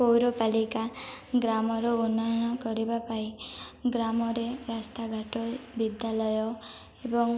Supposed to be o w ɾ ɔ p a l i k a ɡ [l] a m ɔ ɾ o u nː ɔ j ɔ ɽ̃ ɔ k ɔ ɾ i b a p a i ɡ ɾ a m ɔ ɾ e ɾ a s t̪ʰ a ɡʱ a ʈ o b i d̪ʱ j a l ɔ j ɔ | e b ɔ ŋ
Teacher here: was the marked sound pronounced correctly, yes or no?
no